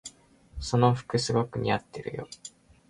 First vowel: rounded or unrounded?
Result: rounded